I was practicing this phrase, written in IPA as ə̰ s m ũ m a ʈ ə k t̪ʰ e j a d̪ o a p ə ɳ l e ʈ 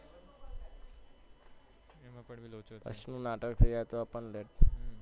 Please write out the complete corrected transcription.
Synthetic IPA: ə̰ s n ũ n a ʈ ə k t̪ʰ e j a t̪ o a p ə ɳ l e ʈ

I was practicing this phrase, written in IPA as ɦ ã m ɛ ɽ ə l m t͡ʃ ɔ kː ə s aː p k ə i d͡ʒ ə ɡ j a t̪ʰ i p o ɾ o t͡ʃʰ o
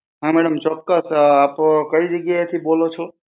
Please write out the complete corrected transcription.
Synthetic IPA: ɦ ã m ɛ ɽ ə m t͡ʃ ɔ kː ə s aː p k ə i d͡ʒ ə ɡ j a t̪ʰ i b o l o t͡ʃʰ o

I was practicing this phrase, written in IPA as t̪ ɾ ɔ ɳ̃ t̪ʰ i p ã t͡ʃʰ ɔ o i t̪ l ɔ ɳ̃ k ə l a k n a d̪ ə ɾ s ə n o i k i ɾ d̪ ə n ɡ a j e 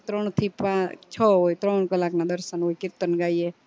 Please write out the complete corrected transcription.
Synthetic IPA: t̪ ɾ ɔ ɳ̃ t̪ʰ i p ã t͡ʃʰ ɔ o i t̪ ɾ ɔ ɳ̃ k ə l a k n a d̪ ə ɾ s ə n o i k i ɾ t̪ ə n ɡ a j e

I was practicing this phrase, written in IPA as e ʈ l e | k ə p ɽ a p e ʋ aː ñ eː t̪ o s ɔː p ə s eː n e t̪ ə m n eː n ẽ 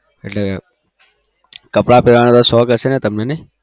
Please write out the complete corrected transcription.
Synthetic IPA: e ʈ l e | k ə p ɽ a p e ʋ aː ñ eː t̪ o s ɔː k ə s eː n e t̪ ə m n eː n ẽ

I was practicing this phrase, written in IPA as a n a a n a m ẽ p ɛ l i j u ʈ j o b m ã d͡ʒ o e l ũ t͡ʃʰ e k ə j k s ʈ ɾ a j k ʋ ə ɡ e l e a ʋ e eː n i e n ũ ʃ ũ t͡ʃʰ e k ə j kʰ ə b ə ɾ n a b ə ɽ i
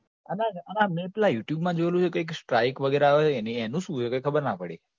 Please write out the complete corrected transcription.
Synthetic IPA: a n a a n a m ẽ p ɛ l a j u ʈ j u b m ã d͡ʒ o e l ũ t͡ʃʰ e k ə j k s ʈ ɾ a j k ʋ ə ɡ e ɾ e a ʋ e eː n i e n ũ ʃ ũ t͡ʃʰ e k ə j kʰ ə b ə ɾ n a p ə ɽ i

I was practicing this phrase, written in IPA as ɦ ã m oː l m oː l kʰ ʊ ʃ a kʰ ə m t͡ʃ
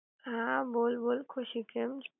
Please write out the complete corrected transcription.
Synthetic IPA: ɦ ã b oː l b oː l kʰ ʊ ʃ i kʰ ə m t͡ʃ

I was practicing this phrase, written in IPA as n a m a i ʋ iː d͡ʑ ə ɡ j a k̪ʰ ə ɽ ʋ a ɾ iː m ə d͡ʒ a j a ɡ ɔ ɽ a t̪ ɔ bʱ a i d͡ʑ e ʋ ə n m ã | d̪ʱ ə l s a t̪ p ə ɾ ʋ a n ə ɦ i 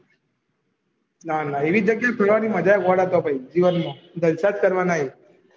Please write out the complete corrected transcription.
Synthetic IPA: n a n a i ʋ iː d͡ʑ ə ɡ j a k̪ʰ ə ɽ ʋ a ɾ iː m ə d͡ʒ a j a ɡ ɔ ɽ a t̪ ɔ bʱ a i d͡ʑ i ʋ ə n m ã | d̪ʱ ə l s a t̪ k ə ɾ ʋ a n a ɦ i

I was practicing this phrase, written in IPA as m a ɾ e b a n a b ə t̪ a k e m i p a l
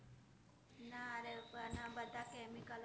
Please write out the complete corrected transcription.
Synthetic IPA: n a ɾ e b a n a b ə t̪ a k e m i k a l

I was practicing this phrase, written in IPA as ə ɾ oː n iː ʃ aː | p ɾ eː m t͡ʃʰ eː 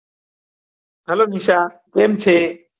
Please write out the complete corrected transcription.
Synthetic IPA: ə l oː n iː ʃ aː | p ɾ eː m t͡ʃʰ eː

